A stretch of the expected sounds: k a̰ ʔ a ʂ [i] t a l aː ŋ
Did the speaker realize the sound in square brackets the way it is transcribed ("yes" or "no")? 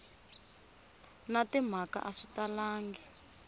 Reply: yes